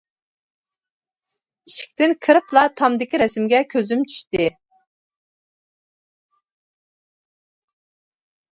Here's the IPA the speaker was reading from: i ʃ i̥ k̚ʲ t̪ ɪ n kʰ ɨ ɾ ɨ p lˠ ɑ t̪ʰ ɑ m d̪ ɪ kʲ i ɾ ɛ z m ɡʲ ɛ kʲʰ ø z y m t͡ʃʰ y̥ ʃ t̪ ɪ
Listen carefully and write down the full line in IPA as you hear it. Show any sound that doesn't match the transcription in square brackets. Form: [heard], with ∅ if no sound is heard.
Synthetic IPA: i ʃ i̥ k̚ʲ t̪ ɪ n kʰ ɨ ɾ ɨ p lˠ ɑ t̪ʰ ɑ m d̪ ɪ kʲ i ɾ ɛ [s] m ɡʲ ɛ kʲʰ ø z y m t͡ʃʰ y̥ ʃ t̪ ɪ

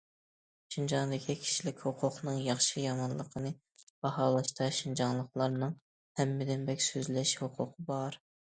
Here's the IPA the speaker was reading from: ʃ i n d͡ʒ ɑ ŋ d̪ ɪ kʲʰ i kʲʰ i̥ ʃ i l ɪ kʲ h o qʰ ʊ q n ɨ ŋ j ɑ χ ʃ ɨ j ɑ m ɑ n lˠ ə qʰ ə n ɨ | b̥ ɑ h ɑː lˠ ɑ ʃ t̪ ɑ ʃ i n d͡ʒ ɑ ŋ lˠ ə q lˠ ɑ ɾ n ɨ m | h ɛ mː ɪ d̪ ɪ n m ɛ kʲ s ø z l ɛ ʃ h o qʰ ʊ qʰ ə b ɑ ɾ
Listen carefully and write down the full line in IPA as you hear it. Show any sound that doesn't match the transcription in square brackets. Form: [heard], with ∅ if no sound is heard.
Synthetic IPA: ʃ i n d͡ʒ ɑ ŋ d̪ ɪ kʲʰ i kʲʰ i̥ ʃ i l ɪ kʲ h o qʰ ʊ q n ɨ ŋ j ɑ χ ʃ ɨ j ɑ m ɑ n lˠ ə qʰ ə n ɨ | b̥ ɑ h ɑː lˠ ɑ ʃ t̪ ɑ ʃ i n d͡ʒ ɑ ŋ lˠ ə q lˠ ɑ ɾ n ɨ [ŋ] | h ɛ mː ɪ d̪ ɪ n [b] ɛ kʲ s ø z l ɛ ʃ h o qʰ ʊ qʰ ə b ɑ ɾ

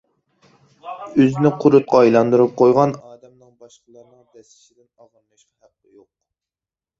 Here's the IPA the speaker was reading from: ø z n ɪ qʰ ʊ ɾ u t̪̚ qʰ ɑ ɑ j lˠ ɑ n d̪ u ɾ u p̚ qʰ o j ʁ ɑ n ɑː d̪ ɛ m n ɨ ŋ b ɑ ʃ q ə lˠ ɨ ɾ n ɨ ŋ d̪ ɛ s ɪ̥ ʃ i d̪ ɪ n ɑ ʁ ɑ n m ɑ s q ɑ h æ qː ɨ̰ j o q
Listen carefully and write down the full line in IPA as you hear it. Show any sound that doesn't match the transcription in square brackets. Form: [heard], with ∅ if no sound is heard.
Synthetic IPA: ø z n ɪ qʰ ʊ ɾ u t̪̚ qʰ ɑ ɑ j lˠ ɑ n d̪ u ɾ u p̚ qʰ o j ʁ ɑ n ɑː d̪ ɛ m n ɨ ŋ b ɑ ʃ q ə lˠ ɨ ɾ n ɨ ŋ d̪ ɛ s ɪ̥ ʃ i d̪ ɪ n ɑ ʁ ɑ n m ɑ [ʃ] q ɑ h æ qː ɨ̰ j o q

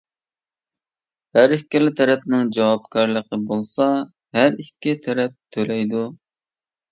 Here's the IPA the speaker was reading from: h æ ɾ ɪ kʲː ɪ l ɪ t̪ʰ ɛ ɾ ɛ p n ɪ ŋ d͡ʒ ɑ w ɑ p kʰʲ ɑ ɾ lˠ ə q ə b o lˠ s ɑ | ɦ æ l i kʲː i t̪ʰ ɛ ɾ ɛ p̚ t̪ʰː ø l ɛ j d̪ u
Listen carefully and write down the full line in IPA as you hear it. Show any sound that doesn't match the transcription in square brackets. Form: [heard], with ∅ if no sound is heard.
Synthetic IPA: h æ ɾ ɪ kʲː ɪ l ɪ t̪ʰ ɛ ɾ ɛ p n ɪ ŋ d͡ʒ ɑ w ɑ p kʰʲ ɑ ɾ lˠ ə q ə b o lˠ s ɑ | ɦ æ [ɾ] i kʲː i t̪ʰ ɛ ɾ ɛ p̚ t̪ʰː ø l ɛ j d̪ u

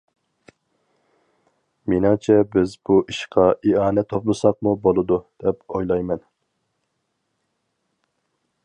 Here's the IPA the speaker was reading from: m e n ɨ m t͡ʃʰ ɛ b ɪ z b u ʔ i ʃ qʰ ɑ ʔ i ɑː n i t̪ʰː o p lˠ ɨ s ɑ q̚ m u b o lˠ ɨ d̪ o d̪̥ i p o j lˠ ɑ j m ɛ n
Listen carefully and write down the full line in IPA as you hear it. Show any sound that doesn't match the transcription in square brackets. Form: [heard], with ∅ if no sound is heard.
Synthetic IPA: m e n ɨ [ŋ] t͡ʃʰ ɛ b ɪ z b u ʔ i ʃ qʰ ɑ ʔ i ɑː n [ɛ] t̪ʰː o p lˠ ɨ s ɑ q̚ m u b o lˠ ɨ d̪ [u] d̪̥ [ɛ] p o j lˠ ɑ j m ɛ n

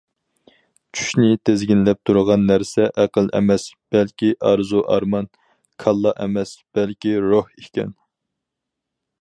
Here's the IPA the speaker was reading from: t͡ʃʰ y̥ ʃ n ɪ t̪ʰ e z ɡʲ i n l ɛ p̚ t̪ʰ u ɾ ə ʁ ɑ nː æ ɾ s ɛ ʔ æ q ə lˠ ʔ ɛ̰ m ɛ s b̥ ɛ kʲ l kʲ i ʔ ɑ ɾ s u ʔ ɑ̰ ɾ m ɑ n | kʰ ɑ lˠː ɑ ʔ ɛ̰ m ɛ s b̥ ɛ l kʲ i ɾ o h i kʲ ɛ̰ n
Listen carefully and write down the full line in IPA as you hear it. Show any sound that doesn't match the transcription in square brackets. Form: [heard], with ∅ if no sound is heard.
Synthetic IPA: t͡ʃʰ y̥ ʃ n ɪ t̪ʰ e z ɡʲ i n l ɛ p̚ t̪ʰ u ɾ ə ʁ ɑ nː æ ɾ s ɛ ʔ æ q ə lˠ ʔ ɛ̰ m ɛ s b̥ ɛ [∅] l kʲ i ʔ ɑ ɾ [z] u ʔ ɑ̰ ɾ m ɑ n | kʰ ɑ lˠː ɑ ʔ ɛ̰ m ɛ s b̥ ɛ l kʲ i ɾ o h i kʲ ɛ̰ n

